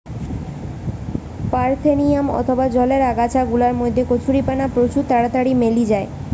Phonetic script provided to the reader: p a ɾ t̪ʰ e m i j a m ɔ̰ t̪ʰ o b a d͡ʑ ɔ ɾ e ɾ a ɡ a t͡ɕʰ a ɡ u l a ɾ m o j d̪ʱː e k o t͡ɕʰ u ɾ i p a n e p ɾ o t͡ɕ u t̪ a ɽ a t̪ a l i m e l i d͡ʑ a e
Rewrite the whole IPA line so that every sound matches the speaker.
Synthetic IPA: p a ɾ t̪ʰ e n i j a m ɔ̰ t̪ʰ o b a d͡ʑ ɔ l e ɾ a ɡ a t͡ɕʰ a ɡ u l a ɾ m o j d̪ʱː e k o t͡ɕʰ u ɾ i p a n a p ɾ o t͡ɕ u t̪ a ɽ a t̪ a ɽ i m e l i d͡ʑ a e